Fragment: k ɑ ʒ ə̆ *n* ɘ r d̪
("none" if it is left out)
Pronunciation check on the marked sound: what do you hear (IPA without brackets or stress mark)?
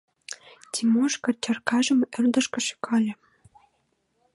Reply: m